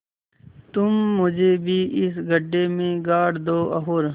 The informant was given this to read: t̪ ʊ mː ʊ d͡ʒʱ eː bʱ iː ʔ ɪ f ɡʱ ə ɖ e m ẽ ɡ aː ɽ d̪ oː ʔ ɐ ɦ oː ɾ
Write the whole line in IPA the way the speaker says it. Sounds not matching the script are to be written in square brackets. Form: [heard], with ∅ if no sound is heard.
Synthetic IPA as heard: t̪ ʊ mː ʊ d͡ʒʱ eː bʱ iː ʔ ɪ [s] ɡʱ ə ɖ e m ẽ ɡ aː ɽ d̪ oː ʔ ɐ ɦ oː ɾ